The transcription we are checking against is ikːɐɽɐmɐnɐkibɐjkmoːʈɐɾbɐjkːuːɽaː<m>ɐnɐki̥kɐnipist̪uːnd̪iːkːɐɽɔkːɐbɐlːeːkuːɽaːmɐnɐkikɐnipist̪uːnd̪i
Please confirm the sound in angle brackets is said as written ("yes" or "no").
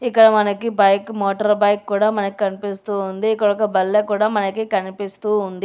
yes